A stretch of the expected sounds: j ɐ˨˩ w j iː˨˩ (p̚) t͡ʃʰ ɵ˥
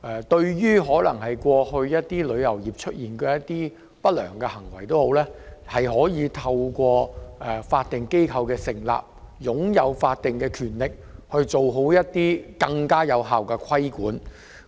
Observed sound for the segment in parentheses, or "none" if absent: p̚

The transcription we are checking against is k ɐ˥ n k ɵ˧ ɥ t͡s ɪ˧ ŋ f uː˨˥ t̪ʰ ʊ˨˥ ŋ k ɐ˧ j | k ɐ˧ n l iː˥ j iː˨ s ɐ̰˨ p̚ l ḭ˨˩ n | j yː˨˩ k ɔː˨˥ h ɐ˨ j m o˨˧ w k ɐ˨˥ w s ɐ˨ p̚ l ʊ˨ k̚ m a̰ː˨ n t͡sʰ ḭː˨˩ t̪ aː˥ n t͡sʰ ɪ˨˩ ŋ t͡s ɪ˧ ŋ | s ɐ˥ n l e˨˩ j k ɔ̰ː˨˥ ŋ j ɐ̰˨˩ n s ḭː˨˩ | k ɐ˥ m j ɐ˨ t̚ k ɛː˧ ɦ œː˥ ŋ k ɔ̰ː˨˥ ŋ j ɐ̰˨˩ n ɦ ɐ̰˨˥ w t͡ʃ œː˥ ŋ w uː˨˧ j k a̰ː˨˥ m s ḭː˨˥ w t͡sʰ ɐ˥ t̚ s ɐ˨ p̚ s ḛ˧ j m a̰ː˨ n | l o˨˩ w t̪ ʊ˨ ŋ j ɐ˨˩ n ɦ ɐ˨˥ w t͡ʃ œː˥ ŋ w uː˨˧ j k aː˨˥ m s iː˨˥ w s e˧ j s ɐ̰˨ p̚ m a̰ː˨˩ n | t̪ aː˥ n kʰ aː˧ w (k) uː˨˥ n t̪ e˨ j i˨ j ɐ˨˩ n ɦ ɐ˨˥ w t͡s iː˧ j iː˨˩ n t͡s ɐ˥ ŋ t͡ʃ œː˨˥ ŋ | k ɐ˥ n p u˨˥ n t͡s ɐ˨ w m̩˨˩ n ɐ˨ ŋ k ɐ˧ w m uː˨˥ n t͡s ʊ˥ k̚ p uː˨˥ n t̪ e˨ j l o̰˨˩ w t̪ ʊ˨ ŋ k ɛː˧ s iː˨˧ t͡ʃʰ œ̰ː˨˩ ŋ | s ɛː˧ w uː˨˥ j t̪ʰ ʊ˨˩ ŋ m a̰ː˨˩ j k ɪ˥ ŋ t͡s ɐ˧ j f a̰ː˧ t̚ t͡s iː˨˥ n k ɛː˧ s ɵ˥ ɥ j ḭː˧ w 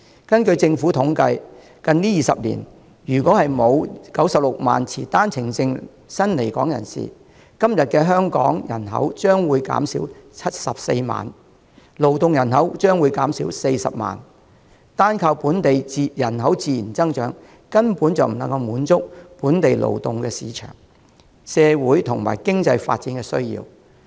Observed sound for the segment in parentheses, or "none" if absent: p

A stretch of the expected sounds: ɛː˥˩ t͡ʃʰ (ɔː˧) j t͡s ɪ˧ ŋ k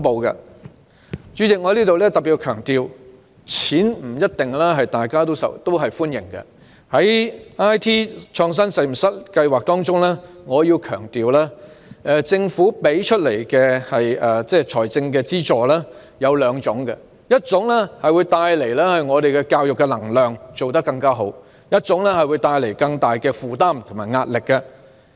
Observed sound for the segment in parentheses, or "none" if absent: ɔː˨˩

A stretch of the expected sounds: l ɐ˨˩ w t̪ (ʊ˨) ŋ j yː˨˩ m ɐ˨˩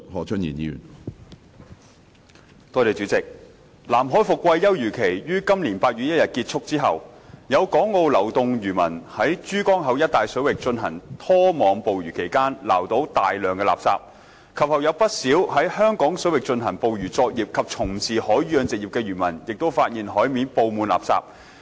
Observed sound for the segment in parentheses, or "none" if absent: ʊ˨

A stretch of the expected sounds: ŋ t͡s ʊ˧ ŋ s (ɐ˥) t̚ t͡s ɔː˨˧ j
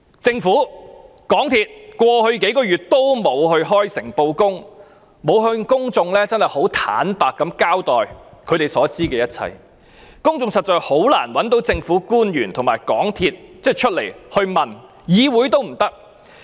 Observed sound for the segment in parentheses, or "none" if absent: ɐ˨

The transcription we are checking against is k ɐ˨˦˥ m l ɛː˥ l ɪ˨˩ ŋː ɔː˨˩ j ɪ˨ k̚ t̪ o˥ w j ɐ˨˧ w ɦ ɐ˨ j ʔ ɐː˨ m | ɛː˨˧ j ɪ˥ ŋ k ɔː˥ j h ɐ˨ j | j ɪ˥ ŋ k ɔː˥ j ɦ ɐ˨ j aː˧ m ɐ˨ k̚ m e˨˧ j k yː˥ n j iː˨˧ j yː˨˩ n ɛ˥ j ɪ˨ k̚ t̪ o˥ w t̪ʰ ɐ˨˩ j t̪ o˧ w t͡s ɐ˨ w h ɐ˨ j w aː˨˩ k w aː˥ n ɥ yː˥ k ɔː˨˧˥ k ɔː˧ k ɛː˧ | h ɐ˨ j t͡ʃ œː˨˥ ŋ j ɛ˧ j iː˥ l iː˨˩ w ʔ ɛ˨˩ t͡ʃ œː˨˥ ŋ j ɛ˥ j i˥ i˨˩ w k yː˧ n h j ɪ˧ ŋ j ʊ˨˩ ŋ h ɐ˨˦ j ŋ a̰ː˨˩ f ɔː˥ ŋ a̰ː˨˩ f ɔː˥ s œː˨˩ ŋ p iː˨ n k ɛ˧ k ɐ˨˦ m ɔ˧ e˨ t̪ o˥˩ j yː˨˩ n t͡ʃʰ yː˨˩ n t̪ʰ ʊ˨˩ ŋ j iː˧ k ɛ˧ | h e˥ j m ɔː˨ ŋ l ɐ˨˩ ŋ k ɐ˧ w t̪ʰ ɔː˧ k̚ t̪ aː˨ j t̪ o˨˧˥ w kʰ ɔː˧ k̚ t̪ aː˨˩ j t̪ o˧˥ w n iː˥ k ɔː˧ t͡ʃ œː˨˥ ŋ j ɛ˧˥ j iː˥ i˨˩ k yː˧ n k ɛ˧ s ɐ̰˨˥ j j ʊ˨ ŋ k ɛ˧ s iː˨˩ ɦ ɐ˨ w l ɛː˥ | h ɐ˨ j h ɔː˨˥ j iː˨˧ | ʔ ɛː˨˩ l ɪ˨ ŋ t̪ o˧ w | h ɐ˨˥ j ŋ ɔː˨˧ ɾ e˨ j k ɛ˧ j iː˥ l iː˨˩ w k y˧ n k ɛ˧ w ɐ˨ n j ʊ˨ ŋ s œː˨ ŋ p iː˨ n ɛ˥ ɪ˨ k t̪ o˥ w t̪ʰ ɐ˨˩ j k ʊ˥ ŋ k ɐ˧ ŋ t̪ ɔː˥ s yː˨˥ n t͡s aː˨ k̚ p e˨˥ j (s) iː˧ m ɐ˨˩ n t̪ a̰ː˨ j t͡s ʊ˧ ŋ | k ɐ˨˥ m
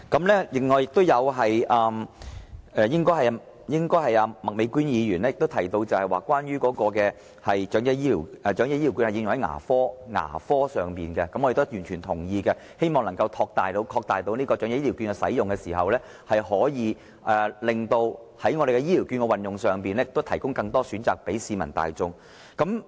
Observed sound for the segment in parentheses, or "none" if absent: s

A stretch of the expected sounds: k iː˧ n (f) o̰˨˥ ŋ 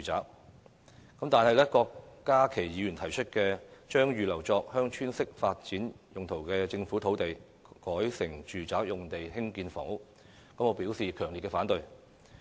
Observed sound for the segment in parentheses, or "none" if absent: f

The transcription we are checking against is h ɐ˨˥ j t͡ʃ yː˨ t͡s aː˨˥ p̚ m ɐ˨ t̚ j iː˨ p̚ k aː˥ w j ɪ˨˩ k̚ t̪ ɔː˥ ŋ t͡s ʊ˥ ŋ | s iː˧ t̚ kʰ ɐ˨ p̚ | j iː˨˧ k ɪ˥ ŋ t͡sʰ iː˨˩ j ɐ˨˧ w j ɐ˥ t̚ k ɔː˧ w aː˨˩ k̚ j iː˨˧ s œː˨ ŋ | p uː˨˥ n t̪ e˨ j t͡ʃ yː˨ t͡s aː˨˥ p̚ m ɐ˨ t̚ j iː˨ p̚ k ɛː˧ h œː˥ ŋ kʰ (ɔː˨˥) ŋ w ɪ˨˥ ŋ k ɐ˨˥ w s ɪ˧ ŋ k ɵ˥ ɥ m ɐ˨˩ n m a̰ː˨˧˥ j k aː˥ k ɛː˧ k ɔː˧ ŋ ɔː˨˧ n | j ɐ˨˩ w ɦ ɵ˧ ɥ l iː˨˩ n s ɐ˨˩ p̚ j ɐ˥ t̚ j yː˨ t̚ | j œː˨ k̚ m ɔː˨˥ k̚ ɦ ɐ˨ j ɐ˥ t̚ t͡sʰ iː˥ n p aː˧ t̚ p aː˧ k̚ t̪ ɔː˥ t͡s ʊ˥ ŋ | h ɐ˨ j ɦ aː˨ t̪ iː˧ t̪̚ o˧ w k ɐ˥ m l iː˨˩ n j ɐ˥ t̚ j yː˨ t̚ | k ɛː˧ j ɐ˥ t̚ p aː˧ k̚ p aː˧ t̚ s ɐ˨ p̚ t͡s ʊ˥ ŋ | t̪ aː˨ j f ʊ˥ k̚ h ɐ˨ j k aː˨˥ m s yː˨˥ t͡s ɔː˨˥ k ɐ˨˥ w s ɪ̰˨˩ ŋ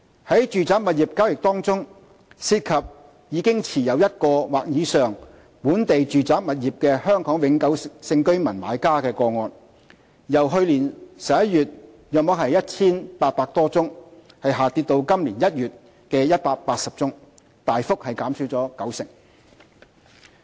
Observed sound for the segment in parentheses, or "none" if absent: ɔː˨˥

